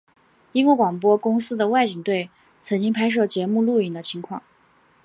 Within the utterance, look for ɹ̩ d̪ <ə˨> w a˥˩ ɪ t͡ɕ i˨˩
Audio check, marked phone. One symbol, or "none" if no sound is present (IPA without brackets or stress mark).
ə˨